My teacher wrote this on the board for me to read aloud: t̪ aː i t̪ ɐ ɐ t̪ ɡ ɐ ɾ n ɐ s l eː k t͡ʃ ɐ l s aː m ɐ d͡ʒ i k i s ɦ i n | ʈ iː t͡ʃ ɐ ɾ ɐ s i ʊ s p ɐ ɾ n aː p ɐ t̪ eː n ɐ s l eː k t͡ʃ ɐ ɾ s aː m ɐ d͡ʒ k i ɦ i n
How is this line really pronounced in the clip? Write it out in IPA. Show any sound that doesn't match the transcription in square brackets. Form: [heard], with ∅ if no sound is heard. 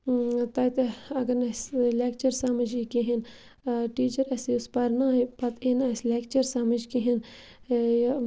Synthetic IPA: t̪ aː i t̪ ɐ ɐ [∅] ɡ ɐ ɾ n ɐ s l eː k t͡ʃ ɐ [ɾ] s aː m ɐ d͡ʒ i k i [∅] ɦ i n | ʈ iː t͡ʃ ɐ ɾ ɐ s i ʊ s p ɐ ɾ n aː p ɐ t̪ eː n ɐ s l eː k t͡ʃ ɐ ɾ s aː m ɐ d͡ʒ k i ɦ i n